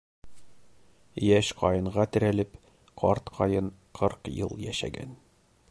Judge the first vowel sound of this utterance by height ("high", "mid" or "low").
low